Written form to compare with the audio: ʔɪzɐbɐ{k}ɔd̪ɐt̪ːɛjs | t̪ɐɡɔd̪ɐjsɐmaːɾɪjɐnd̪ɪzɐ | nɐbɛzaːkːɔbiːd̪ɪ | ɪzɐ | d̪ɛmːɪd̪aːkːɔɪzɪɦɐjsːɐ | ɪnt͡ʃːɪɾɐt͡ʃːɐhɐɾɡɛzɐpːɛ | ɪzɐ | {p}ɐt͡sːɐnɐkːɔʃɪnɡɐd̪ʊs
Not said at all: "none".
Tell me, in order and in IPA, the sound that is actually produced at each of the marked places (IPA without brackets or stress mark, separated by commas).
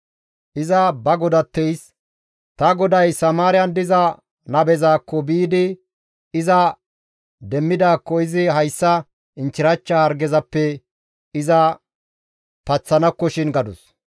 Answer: ɡ, p